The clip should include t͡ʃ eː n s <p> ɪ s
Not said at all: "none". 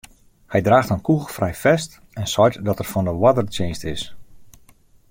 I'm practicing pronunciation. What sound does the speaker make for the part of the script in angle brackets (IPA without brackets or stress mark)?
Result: t